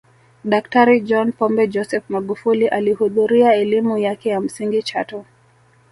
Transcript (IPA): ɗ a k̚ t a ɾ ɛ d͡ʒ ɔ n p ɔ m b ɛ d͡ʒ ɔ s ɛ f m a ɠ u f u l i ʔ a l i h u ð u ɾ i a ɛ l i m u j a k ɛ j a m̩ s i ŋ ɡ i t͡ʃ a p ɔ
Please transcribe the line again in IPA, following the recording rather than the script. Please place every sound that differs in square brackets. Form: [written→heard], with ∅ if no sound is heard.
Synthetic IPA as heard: ɗ a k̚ t a ɾ [ɛ→i] d͡ʒ ɔ n p ɔ m b ɛ d͡ʒ ɔ s ɛ f m a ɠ u f u l i ʔ a l i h u ð u ɾ i a ɛ l i m u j a k ɛ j a m̩ s i ŋ ɡ i t͡ʃ a [p→t] ɔ